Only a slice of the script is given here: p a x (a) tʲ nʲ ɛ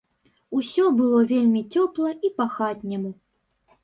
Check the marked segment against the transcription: correct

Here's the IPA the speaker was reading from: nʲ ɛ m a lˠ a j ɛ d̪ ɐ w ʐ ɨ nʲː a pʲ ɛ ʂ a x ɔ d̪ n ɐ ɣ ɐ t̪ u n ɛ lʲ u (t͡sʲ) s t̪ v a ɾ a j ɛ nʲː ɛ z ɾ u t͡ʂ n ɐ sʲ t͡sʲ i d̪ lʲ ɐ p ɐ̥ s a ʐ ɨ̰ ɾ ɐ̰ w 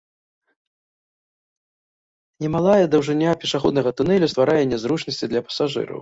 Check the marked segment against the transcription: incorrect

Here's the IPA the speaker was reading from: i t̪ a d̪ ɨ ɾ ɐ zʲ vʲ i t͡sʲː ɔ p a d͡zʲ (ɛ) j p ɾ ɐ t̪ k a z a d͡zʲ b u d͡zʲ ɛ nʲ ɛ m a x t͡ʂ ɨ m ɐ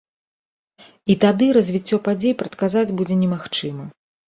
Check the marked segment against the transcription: incorrect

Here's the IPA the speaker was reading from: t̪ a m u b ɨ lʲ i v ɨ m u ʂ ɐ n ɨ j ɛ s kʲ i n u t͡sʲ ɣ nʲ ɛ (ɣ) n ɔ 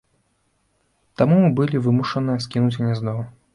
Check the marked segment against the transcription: incorrect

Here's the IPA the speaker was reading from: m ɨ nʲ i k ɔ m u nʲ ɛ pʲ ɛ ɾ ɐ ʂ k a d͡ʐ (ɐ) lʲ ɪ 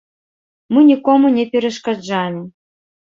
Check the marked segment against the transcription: incorrect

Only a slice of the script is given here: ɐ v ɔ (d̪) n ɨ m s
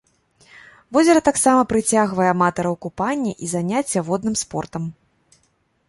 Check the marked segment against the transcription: correct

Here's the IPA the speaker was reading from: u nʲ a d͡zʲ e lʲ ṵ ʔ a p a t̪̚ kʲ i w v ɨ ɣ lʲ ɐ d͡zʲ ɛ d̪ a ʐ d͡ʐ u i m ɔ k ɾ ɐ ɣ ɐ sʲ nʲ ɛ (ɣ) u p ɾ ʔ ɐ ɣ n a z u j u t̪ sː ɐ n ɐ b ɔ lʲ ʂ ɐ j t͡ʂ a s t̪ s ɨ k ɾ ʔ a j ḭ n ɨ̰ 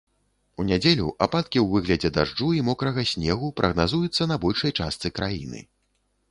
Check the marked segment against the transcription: correct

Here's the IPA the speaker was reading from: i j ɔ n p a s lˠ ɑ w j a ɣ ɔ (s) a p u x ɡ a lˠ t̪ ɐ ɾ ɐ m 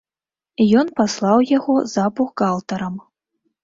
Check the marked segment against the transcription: incorrect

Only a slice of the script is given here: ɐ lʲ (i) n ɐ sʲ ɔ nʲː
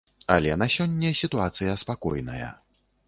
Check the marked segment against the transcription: incorrect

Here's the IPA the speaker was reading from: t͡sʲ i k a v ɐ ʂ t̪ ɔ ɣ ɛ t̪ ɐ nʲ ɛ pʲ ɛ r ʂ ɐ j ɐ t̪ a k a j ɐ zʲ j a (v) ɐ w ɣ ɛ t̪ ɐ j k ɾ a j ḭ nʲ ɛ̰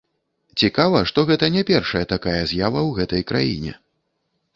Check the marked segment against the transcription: correct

